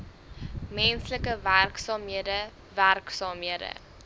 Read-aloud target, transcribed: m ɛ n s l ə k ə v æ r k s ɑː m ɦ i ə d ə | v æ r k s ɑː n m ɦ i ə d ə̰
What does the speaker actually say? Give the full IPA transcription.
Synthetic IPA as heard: m ɛ n s l ə k ə v æ r k s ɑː m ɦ i ə d ə | v æ r k s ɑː m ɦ i ə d ə̰